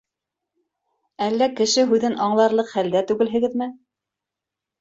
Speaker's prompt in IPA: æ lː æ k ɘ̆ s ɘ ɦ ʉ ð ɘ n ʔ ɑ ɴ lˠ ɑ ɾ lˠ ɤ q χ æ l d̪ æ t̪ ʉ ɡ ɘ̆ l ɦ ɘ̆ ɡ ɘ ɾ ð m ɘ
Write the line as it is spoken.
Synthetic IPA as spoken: æ lː æ k ɘ̆ ʃ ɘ ɦ ʉ ð ɘ n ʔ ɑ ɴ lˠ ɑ ɾ lˠ ɤ q χ æ l d̪ æ t̪ ʉ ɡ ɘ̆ l ɦ ɘ̆ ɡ ɘ ð m ɘ